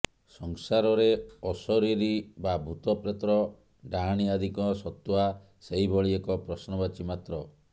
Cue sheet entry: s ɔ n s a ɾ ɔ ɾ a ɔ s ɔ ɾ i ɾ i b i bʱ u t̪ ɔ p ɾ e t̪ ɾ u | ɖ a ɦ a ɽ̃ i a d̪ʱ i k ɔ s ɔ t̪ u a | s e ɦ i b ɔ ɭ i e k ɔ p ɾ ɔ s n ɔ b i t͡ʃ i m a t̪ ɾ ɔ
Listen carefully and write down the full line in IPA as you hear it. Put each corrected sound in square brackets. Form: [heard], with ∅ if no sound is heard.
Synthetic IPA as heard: s ɔ [ŋ] s a ɾ ɔ ɾ [e] ɔ s ɔ ɾ i ɾ i b [a] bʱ u t̪ ɔ p ɾ e t̪ ɾ [ɔ] | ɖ a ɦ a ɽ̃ i a d̪ʱ i k ɔ s ɔ t̪ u a | s e ɦ i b ɔ ɭ i e k ɔ p ɾ ɔ s n ɔ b [a] t͡ʃ i m a t̪ ɾ ɔ